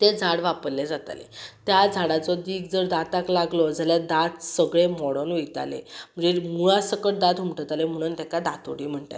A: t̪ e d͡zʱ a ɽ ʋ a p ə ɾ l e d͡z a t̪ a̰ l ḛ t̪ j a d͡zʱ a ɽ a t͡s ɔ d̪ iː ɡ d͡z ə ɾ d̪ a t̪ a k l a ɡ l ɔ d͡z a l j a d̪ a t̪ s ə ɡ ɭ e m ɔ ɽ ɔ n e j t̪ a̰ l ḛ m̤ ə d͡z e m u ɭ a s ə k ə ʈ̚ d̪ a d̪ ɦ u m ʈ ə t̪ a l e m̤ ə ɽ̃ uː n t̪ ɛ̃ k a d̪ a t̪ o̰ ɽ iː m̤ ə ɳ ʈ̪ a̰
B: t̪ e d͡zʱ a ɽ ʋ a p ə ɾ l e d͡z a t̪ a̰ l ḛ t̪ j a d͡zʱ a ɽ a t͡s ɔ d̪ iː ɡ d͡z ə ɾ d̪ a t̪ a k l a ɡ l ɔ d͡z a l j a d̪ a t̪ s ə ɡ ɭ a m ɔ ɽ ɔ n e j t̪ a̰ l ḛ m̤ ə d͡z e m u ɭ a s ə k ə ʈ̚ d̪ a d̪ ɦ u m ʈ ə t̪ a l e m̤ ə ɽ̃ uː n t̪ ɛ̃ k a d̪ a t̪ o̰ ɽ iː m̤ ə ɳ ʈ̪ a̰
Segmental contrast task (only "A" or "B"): A